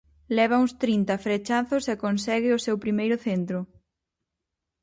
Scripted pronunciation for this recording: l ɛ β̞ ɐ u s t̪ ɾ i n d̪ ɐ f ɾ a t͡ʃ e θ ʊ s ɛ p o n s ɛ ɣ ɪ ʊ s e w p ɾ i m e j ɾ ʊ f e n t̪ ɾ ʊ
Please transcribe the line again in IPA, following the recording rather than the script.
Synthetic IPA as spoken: l ɛ β̞ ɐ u s t̪ ɾ i n t̪ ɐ f ɾ e t͡ʃ a θ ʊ s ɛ k o n s ɛ ɣ ɪ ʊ s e w p ɾ i m e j ɾ ʊ θ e n t̪ ɾ ʊ